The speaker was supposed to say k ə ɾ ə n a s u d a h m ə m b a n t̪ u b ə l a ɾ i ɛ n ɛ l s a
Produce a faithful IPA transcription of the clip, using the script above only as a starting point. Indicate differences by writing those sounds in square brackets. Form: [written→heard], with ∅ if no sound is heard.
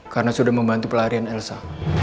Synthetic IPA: k [ə→a] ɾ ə n a s u d a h m ə m b a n t̪ u [b→p] ə l a ɾ i [ɛ→a] n ɛ l s a